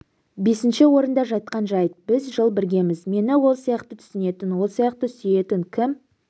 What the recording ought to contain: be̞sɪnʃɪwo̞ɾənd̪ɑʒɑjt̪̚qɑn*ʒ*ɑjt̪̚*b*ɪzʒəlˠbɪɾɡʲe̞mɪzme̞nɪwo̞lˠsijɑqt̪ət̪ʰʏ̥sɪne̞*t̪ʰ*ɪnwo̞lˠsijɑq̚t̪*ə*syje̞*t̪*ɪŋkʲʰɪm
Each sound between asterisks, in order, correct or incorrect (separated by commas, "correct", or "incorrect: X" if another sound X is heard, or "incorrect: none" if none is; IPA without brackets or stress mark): correct, correct, incorrect: t̪, correct, correct